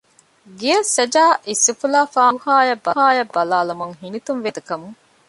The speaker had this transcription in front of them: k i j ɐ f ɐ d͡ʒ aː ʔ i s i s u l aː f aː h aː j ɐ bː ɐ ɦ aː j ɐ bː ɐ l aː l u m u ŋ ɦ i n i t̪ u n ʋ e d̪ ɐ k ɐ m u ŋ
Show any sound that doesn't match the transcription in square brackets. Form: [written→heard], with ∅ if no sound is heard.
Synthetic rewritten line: [k→ɡ] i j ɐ [f→s] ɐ d͡ʒ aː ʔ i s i [s→f] u l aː f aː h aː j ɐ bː ɐ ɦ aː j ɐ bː ɐ l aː l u m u ŋ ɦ i n i t̪ u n ʋ e d̪ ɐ k ɐ m u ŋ